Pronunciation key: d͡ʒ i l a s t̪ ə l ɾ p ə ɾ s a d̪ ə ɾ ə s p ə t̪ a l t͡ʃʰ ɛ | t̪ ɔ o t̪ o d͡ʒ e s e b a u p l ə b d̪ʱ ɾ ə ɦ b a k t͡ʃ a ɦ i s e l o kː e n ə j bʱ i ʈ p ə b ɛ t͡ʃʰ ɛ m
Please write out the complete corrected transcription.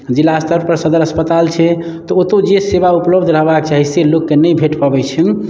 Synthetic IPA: d͡ʒ i l a s t̪ ə ɾ p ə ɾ s ə d̪ ə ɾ ə s p ə t̪ a l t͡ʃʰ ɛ | t̪ ɔ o t̪ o d͡ʒ e s e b a u p l ə b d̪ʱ ɾ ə ɦ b a k t͡ʃ a ɦ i s e l o kː e n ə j bʱ e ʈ p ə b ɛ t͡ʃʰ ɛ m